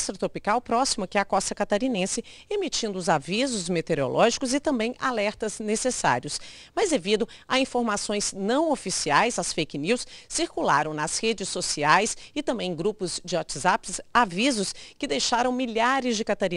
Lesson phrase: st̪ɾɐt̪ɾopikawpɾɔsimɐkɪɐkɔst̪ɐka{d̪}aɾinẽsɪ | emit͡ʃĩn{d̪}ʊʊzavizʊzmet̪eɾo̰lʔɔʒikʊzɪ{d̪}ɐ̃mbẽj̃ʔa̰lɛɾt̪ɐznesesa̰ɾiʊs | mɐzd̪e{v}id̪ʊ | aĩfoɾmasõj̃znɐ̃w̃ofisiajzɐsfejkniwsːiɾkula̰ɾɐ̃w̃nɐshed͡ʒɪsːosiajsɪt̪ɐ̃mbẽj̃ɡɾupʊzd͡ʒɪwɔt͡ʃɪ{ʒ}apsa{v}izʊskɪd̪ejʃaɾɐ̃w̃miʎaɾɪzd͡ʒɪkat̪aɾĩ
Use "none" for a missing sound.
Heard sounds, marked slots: t̪, d̪, t̪, v, z, v

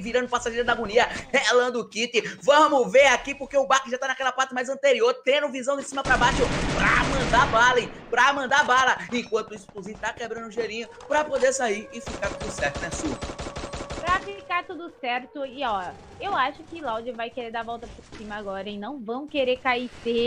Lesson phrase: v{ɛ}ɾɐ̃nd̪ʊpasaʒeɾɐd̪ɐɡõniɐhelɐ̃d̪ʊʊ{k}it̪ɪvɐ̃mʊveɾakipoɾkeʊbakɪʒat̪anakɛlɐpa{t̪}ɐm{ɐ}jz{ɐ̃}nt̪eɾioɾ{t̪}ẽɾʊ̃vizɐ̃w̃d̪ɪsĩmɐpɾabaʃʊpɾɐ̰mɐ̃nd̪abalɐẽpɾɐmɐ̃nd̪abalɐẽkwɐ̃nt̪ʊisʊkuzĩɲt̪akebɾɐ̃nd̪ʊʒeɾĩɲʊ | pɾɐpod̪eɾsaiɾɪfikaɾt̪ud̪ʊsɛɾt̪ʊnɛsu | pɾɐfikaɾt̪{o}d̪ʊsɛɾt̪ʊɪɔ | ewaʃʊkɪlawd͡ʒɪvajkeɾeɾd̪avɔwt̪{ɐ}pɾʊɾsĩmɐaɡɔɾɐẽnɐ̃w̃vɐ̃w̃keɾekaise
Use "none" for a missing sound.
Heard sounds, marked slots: i, k, t̪, a, ɐ̃, t̪, u, ɐ

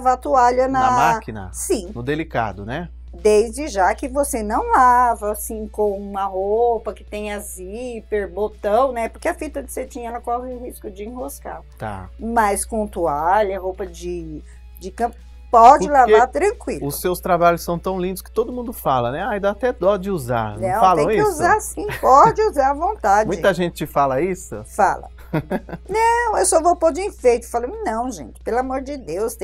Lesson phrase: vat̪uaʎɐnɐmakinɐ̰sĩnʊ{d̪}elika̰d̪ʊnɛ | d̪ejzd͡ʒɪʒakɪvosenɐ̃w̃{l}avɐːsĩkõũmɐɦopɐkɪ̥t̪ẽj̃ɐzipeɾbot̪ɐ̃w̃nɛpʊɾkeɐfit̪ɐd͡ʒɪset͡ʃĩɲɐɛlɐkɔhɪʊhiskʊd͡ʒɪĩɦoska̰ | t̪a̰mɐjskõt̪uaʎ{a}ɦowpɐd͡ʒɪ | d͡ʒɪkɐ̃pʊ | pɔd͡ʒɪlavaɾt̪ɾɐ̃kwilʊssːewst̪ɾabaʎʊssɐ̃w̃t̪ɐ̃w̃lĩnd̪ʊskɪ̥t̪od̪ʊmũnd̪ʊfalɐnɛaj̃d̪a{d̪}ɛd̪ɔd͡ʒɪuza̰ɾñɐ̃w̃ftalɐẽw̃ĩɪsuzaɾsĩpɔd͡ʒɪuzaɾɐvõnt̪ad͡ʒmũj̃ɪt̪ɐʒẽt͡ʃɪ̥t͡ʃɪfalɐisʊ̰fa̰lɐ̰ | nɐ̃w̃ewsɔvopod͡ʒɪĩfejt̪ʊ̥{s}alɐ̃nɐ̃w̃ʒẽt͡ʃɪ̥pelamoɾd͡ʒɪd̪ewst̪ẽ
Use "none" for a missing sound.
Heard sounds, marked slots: d̪, l, ɐ, t̪, f

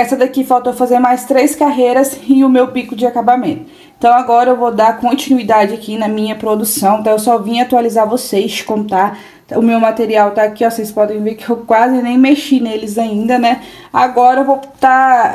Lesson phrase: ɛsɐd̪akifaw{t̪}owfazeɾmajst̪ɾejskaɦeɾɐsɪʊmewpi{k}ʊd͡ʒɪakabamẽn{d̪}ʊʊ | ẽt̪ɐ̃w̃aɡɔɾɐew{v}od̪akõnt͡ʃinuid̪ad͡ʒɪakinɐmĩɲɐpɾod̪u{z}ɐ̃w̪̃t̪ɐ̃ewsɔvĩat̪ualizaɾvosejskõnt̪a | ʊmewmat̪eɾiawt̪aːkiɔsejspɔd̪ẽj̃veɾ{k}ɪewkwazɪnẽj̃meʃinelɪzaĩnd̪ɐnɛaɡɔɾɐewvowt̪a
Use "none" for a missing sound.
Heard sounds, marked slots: t̪, k, t̪, v, s, k

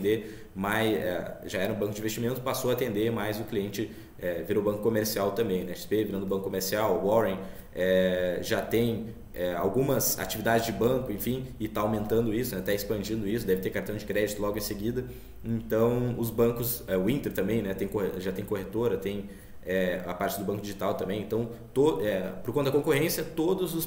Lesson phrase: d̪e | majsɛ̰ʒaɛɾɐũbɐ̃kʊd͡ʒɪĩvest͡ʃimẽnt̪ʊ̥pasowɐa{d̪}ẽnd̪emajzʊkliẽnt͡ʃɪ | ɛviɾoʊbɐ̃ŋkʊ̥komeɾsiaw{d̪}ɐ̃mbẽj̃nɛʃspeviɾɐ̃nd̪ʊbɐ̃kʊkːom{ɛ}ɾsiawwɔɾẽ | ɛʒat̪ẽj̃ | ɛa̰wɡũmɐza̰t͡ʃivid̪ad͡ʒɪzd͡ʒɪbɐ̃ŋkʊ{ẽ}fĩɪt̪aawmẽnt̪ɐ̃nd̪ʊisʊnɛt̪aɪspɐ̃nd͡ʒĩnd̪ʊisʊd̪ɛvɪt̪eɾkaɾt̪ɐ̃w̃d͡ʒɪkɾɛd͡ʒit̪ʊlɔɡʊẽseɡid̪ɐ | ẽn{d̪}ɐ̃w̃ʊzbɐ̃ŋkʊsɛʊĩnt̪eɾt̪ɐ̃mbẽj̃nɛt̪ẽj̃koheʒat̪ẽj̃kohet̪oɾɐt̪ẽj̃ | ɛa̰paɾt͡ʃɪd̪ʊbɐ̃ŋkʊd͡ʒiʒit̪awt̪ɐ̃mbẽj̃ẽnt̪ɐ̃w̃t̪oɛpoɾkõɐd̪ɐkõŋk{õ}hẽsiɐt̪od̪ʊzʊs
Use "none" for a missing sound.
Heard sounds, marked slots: t̪, t̪, e, ẽ, t̪, o

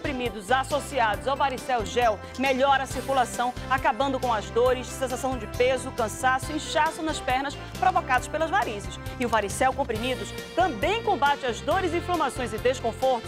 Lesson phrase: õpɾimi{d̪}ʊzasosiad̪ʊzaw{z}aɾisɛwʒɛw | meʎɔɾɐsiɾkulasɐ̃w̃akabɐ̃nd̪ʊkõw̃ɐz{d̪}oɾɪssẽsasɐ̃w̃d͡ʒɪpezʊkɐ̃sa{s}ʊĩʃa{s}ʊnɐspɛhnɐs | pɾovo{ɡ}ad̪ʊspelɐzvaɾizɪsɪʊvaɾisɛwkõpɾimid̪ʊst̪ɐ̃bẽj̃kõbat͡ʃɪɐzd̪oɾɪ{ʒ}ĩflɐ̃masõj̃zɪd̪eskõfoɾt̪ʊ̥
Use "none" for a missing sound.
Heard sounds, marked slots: d̪, v, d̪, s, s, k, z

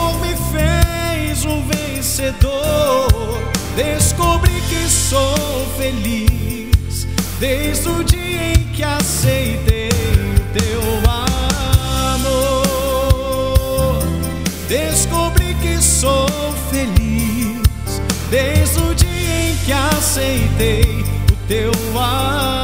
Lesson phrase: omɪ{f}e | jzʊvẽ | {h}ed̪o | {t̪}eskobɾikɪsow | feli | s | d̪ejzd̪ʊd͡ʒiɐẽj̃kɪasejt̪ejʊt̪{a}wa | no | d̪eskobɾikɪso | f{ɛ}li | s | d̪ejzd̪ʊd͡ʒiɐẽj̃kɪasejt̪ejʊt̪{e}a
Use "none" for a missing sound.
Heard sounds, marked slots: f, s, d̪, e, e, e

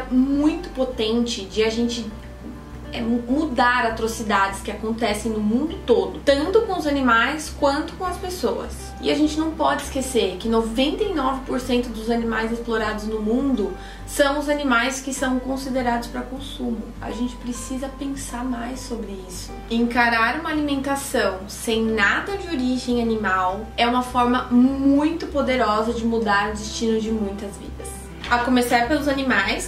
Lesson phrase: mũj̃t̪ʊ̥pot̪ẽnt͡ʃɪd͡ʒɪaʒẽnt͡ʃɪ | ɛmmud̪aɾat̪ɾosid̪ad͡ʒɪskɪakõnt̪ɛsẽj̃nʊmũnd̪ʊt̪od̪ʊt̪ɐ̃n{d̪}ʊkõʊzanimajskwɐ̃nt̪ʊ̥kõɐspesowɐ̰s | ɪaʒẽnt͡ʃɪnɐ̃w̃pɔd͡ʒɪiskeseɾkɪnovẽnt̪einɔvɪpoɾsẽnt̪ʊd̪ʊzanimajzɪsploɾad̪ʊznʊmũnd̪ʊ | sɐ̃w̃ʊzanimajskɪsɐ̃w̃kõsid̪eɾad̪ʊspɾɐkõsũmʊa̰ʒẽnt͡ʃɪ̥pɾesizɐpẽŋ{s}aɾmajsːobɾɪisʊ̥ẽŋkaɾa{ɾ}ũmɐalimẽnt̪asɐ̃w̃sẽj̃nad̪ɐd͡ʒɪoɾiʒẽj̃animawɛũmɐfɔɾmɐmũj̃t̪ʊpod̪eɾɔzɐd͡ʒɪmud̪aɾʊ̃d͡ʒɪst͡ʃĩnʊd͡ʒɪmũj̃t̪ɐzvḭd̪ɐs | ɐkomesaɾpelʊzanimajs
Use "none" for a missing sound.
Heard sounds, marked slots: t̪, s, ɾ

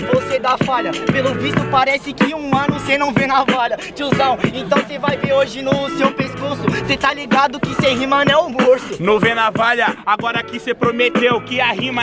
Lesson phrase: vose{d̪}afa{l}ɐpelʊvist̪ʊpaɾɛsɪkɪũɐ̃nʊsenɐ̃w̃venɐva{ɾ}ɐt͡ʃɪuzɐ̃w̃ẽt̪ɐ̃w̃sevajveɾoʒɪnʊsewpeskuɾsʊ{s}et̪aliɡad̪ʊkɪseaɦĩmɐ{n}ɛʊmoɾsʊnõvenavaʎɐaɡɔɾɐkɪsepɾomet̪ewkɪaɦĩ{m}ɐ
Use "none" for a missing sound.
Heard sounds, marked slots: d̪, ʎ, ʎ, s, n, m

